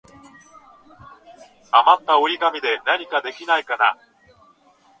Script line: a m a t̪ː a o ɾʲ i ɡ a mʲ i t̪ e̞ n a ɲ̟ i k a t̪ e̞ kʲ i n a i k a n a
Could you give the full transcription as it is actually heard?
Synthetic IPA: a m a t̪ː a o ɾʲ i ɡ a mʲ i d̪ e̞ n a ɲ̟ i k a d̪ e̞ kʲ i n a i k a n a